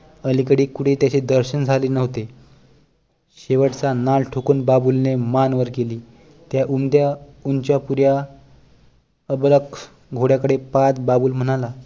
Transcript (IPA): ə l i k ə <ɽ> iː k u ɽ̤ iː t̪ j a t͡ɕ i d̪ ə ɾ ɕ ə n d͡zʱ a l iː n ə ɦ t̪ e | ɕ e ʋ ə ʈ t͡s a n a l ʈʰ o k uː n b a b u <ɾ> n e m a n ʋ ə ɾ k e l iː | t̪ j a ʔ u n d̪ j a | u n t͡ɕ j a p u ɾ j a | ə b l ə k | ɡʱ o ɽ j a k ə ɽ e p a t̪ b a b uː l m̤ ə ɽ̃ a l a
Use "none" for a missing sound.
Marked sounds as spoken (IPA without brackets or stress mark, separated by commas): ɽ, l